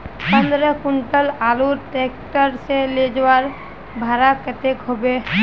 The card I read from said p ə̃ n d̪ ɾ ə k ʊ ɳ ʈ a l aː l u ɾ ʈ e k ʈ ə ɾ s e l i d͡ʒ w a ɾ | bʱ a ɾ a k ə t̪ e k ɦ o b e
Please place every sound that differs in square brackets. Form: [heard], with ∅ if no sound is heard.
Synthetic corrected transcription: p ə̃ n d̪ ɾ ə k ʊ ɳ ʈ [ə] l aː l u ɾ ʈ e k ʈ ə ɾ s e l [e] d͡ʒ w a ɾ | bʱ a ɾ a k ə t̪ e k ɦ o b e